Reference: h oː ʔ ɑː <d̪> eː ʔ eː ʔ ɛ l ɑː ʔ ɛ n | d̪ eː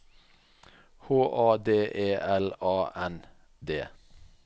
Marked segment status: correct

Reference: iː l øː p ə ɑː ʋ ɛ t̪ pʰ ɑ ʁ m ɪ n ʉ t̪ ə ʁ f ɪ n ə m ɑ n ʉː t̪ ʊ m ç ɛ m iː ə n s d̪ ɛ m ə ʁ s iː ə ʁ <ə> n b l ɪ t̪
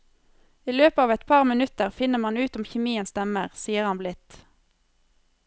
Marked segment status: incorrect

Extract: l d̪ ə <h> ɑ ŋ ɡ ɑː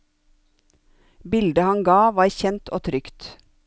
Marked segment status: correct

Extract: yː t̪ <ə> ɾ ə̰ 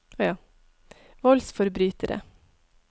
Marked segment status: correct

